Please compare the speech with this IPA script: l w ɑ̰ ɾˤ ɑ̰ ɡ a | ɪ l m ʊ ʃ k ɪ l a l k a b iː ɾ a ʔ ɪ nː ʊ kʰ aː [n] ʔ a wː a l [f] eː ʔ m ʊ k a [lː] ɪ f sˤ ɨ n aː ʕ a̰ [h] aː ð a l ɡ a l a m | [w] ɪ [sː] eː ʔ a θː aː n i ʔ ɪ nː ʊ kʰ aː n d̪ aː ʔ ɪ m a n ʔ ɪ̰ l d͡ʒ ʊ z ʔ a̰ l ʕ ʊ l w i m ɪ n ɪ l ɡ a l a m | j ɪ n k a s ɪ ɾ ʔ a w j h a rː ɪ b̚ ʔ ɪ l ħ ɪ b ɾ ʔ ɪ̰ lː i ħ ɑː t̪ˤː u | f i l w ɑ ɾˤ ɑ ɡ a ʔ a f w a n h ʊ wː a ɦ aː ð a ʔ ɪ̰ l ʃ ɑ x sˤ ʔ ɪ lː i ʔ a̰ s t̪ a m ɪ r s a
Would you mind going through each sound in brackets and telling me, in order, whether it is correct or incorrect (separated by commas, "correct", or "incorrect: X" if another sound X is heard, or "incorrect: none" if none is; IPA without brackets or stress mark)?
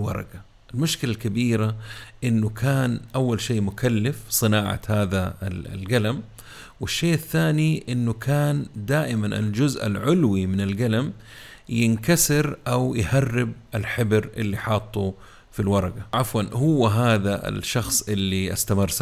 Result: correct, incorrect: ʃ, correct, correct, correct, incorrect: ʃː